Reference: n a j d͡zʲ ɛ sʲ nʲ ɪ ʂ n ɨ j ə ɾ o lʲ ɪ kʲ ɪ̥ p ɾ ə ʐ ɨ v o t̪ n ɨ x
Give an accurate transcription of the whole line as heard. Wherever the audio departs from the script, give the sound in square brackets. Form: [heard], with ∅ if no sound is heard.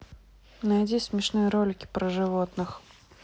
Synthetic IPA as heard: n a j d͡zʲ [i] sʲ [mʲ] ɪ ʂ n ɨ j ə ɾ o lʲ ɪ kʲ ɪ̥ p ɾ ə ʐ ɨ v o t̪ n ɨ x